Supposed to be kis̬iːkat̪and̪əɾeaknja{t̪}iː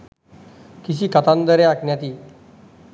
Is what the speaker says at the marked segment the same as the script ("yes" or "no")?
yes